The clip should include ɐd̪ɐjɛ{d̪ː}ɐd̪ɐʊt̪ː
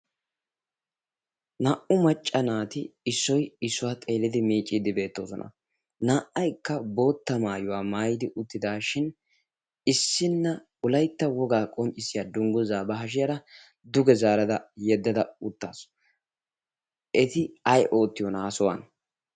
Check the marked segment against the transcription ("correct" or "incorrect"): correct